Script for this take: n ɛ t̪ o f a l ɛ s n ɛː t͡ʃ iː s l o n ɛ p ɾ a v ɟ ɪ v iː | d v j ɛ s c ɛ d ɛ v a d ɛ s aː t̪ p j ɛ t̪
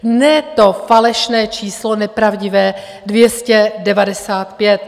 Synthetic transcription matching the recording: n ɛ t̪ o f a l ɛ ʃ n ɛː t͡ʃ iː s l o n ɛ p ɾ a v ɟ ɪ v ɛː | d v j ɛ s c ɛ d ɛ v a d ɛ s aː t̪ p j ɛ t̪